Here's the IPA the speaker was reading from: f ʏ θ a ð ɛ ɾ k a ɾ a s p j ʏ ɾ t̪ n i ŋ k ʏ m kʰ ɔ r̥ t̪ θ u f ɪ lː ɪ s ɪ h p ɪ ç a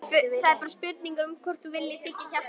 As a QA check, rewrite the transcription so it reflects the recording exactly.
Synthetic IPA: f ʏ θ a ð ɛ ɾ p a ɾ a s p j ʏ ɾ t̪ n i ŋ k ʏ m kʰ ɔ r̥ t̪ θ u v ɪ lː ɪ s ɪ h c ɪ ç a